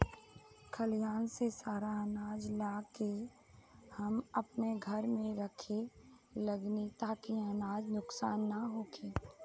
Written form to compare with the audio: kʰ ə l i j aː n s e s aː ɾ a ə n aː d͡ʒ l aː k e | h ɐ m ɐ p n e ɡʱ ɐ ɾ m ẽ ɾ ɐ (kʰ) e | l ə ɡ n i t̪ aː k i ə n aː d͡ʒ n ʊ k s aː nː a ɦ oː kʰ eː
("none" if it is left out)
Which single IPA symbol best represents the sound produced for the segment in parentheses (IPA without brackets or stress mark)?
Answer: kʰ